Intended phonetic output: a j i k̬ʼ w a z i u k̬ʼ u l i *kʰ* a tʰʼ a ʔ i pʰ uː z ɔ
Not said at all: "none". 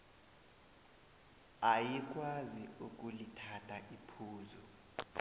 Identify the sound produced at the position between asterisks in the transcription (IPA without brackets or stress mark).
tʰ